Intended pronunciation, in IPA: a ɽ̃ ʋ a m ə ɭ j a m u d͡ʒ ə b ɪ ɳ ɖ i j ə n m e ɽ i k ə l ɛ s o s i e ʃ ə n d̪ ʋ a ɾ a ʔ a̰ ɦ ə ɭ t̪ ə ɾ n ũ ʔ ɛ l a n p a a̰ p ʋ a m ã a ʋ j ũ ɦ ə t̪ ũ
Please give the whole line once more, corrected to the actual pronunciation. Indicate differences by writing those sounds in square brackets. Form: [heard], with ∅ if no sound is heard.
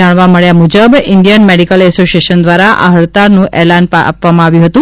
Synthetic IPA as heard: a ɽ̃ ʋ a m ə ɭ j a m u d͡ʒ ə b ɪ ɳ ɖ i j ə n m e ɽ i k ə l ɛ s o s i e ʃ ə n d̪ ʋ a ɾ a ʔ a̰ ɦ ə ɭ t̪ [a] ɾ n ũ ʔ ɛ l a n p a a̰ p ʋ a m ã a ʋ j ũ ɦ ə t̪ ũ